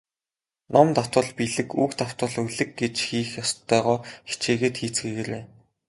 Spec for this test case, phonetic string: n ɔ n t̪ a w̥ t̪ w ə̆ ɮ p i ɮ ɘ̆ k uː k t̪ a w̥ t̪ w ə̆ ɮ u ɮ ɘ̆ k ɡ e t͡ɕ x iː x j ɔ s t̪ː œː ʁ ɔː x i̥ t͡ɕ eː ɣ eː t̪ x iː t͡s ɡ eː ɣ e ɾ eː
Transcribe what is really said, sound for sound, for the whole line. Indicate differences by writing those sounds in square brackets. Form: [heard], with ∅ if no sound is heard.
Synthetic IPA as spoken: n ɔ [m] t̪ a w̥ t̪ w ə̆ ɮ p i ɮ ɘ̆ k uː k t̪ a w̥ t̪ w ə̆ ɮ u ɮ ɘ̆ k ɡ e t͡ɕ x iː x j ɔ s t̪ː œː ʁ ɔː x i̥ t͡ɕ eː ɣ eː t̪ x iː t͡s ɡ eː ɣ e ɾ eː